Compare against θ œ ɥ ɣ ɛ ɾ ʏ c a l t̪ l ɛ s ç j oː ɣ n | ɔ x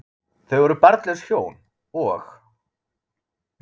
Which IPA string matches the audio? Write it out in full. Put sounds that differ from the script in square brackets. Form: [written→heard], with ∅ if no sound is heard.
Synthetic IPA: θ œ ɥ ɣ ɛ ɾ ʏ [c→p] a [l→ɾ] t̪ l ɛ s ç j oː [ɣ→w] n | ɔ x

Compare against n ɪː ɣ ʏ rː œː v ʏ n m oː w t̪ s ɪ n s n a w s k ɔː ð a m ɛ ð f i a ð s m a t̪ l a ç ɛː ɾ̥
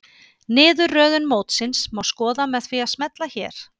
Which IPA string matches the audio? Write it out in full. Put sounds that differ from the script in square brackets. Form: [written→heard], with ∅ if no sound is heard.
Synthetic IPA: n ɪː [ɣ→ð] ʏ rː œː [v→ð] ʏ n m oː w t̪ s ɪ n s [n→m] a w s k ɔː ð a m ɛ ð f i a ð s m [a→ɛ] t̪ l a ç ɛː ɾ̥

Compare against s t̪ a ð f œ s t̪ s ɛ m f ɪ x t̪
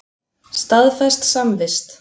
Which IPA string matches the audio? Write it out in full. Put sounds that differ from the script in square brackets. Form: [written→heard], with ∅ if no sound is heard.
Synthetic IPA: s t̪ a ð f [œ→ɛ] s t̪ s [ɛ→a] m [f→v] ɪ [x→s] t̪

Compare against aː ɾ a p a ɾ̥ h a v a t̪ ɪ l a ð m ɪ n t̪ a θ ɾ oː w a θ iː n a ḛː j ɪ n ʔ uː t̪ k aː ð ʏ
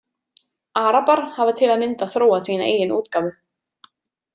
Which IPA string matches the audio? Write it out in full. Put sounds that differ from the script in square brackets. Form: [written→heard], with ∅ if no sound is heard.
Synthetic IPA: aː ɾ a p a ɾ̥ h a v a [t̪→t̪ʰ] ɪ l a ð m ɪ n t̪ a θ ɾ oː w a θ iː n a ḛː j ɪ n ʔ uː t̪ k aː [ð→v] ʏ

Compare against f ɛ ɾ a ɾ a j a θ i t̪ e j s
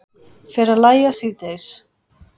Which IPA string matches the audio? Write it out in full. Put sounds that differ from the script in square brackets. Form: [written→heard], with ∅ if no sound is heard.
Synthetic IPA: f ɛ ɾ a [ɾ→l] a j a [θ→s] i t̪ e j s

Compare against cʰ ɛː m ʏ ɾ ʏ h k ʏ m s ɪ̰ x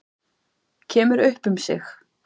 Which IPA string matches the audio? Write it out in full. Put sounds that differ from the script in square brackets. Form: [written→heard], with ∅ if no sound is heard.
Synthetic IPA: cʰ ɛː m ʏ ɾ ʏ h [k→p] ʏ m s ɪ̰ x

